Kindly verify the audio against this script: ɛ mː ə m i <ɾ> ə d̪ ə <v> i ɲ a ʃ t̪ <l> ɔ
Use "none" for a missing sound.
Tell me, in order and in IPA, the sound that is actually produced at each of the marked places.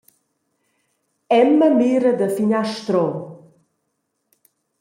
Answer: ɾ, f, ɾ

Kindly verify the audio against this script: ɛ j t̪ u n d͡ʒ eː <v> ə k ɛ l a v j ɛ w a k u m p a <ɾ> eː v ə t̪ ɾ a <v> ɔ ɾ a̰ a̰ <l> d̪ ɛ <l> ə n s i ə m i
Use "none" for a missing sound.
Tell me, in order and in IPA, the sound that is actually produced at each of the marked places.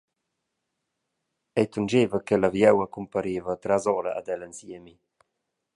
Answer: v, ɾ, z, none, l

